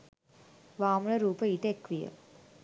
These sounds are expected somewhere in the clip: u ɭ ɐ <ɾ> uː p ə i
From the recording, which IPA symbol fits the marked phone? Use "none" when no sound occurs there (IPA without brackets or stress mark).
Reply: ɾ